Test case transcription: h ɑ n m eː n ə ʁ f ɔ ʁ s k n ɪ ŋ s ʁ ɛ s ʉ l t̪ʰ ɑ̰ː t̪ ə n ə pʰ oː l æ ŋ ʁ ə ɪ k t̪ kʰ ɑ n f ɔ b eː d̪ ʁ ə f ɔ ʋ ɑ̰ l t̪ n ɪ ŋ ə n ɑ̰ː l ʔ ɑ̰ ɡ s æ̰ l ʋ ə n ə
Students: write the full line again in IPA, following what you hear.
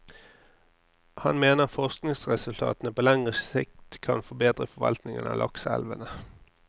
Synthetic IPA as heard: h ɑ n m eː n ə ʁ f ɔ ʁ s k n ɪ ŋ s ʁ ɛ s ʉ l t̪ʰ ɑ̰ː t̪ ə n ə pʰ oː l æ ŋ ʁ ə ɪ k t̪ kʰ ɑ n f ɔ b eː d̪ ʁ ə f ɔ ʋ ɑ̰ l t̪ n ɪ ŋ ə n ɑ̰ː l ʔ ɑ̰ k s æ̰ l ʋ ə n ə

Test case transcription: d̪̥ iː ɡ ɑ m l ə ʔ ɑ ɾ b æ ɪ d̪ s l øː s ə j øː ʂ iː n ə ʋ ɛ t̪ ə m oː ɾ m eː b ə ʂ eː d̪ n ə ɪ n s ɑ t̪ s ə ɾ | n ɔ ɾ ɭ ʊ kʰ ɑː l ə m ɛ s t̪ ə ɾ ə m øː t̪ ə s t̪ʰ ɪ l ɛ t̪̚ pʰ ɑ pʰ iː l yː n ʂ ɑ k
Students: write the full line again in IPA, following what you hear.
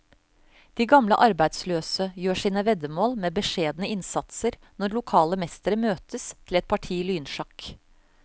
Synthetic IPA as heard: d̪̥ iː ɡ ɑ m l ə ʔ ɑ ɾ b æ ɪ d̪ s l øː s ə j øː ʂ iː n ə ʋ ɛ d̪ ə m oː l m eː b ə ʂ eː d̪ n ə ɪ n s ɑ t̪ s ə ɾ | n ɔ ɾ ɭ ʊ kʰ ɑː l ə m ɛ s t̪ ə ɾ ə m øː t̪ ə s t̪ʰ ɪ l ɛ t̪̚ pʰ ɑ ʈʰ iː l yː n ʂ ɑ k

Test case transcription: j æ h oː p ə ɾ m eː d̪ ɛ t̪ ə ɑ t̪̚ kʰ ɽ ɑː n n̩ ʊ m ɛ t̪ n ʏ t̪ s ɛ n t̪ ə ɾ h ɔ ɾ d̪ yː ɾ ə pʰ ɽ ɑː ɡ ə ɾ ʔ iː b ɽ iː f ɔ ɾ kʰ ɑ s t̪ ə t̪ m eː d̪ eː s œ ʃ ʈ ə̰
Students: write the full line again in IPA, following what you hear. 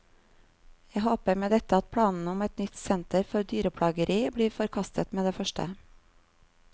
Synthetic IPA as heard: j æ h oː p ə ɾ m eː d̪ ɛ t̪ ə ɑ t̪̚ pʰ ɽ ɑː n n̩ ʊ m ɛ t̪ n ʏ t̪ s ɛ n t̪ ə ɾ f ɔ ɾ d̪ yː ɾ ə pʰ ɽ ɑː ɡ ə ɾ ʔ iː b ɽ iː f ɔ ɾ kʰ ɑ s t̪ ə t̪ m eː d̪ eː f œ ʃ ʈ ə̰

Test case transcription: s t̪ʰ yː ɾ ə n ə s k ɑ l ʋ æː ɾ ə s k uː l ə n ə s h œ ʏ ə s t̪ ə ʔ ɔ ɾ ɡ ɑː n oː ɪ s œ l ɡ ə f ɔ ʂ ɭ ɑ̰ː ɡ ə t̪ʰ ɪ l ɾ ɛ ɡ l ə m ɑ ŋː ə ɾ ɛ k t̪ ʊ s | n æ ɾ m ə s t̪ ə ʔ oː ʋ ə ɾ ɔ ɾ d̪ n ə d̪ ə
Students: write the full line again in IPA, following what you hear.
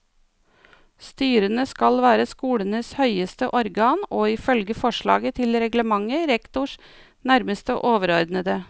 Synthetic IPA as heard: s t̪ yː ɾ ə n ə s k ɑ l ʋ æː ɾ ə s k uː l ə n ə s h œ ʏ ə s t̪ ə ʔ ɔ ɾ ɡ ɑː n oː ɪ f œ l ɡ ə f ɔ ʂ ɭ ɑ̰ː ɡ ə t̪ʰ ɪ l ɾ ɛ ɡ l ə m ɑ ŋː ə ɾ ɛ k t̪ ʊ ʂ | n æ ɾ m ə s t̪ ə ʔ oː ʋ ə ɾ ɔ ɾ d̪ n ə d̪ ə

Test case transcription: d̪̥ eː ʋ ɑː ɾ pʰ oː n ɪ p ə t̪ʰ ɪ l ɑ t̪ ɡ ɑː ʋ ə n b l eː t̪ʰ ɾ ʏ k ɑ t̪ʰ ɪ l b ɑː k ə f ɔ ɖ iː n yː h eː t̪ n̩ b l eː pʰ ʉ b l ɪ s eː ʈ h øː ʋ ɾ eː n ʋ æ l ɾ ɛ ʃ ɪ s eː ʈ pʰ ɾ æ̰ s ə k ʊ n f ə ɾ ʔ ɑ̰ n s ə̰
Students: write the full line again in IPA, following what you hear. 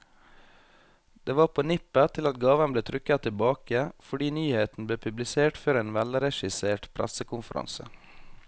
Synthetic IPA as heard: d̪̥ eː ʋ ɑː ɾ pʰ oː n ɪ p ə t̪ʰ ɪ l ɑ t̪ ɡ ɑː ʋ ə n b l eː t̪ʰ ɾ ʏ k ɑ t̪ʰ ɪ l b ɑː k ə f ɔ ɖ iː n yː h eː t̪ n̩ b l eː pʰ ʉ b l ɪ s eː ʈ f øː ɾ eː n ʋ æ l ɾ ɛ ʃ ɪ s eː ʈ pʰ ɾ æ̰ s ə k ʊ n f ə ɾ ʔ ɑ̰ n s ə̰

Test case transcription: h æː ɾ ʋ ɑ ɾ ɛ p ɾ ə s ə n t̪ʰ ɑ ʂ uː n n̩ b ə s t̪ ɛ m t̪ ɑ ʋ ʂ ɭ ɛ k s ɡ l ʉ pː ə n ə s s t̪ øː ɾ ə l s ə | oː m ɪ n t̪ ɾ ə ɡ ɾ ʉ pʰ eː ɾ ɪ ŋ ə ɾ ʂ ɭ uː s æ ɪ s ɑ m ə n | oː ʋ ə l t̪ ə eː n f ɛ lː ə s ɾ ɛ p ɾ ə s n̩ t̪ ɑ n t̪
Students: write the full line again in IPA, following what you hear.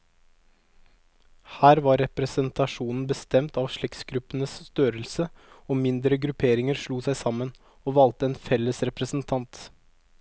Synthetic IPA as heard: h æː ɾ ʋ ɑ ɾ ɛ p ɾ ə s ə n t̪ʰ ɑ ʂ uː n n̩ b ə s t̪ ɛ m t̪ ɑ ʋ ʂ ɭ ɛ k s ɡ ɾ ʉ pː ə n ə s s t̪ øː ɾ ə l s ə | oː m ɪ n d̪ ɾ ə ɡ ɾ ʉ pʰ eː ɾ ɪ ŋ ə ɾ ʂ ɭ uː s æ ɪ s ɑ m ə n | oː ʋ ɑ l t̪ ə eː n f ɛ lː ə s ɾ ɛ p ɾ ə s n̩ t̪ʰ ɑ n t̪

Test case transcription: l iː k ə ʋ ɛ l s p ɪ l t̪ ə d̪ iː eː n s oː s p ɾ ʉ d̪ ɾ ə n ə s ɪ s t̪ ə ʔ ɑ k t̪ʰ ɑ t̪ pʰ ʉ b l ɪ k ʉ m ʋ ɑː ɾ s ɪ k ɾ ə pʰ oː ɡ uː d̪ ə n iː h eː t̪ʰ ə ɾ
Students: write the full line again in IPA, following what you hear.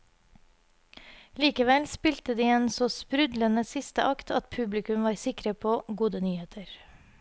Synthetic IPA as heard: l iː k ə ʋ ɛ l s p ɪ l t̪ ə d̪ iː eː n s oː s p ɾ ʉ d̪ l ə n ə s ɪ s t̪ ə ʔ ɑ k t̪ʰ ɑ t̪ pʰ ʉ b l ɪ k ʉ m ʋ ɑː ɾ s ɪ k ɾ ə pʰ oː ɡ uː d̪ ə n yː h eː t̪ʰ ə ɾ

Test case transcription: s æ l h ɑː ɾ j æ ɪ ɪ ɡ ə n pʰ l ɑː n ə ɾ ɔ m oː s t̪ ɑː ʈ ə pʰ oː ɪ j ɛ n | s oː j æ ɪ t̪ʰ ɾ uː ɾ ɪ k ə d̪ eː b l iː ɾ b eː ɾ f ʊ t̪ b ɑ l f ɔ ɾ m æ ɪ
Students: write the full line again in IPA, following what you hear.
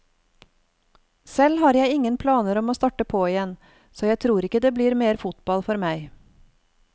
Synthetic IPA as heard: s ɛ l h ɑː ɾ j æ ɪ ɪ ŋ ə n pʰ l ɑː n ə ɾ ɔ m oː s t̪ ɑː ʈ ə pʰ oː ɪ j ɛ n | s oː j æ ɪ t̪ʰ ɾ uː ɾ ɪ k ə d̪ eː b l iː ɾ m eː ɾ f ʊ t̪ b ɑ l f ɔ ɾ m æ ɪ

